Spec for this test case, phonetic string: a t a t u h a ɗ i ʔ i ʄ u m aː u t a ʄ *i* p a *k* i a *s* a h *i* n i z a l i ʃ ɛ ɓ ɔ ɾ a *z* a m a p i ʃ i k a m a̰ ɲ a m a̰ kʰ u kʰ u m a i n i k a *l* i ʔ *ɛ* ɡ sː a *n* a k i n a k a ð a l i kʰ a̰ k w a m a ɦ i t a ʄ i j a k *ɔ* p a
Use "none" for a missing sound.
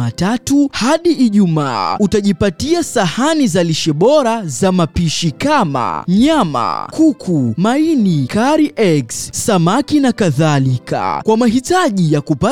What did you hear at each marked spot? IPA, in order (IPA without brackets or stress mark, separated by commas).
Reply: i, t, s, a, z, ɾ, ɛ, m, u